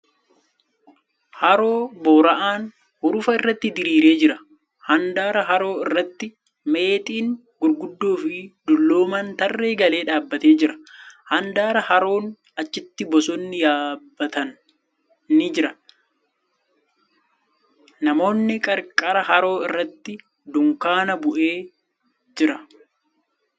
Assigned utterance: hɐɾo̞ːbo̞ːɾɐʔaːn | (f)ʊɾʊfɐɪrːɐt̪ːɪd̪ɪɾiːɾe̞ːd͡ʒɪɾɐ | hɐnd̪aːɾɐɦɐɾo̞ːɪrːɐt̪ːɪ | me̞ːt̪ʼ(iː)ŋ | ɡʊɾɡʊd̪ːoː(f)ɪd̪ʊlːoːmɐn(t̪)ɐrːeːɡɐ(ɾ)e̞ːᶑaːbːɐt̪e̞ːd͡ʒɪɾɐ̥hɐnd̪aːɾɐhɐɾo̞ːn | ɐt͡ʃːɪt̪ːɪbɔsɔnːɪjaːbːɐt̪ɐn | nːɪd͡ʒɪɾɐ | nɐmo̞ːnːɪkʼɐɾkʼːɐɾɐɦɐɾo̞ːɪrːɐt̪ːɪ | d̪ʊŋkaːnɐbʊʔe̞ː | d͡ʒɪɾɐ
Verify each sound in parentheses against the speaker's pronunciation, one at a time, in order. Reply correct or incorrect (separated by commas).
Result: incorrect, correct, correct, correct, incorrect